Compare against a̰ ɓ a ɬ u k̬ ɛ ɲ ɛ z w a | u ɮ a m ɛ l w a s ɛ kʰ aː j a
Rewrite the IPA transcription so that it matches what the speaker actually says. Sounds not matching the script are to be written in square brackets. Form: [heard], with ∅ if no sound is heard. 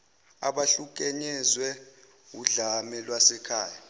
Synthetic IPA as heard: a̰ ɓ a ɬ u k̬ ɛ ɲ ɛ z w [ɛ] | u ɮ a m ɛ l w a s ɛ kʰ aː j a